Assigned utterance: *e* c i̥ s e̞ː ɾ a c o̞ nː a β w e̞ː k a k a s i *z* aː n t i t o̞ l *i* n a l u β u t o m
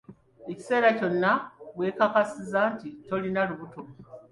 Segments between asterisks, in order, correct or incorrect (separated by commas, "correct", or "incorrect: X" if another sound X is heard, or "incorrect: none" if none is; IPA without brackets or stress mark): correct, correct, correct